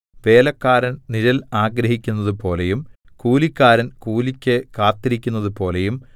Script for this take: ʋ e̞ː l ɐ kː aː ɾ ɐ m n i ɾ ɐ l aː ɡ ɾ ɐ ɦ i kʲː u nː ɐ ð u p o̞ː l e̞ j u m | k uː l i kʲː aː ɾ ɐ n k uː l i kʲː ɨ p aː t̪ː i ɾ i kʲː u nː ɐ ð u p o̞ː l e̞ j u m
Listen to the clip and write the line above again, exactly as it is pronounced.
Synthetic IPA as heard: ʋ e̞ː l ɐ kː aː ɾ ɐ n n i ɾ ɐ l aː ɡ ɾ ɐ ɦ i kʲː u nː ɐ ð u p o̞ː l e̞ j u m | k uː l i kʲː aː ɾ ɐ n k uː l i kʲː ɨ k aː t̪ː i ɾ i kʲː u nː ɐ ð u p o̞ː l e̞ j u m